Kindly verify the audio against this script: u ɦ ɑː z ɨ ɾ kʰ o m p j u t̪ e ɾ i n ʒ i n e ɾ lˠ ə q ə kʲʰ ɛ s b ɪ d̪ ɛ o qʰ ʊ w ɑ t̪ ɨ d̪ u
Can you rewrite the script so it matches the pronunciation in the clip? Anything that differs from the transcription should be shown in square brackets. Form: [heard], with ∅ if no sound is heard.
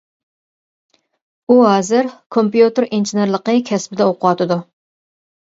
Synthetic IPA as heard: u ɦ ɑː z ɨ ɾ kʰ o m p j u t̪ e ɾ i n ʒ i n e ɾ lˠ ə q ə kʲʰ ɛ s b ɪ d̪ ɛ o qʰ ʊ w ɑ t̪ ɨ d̪ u